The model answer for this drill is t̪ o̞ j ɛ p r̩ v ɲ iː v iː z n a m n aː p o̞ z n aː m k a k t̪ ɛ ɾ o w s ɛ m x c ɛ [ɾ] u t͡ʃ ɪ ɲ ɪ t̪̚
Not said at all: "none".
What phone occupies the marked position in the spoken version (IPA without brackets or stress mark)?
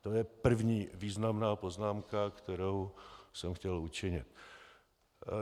l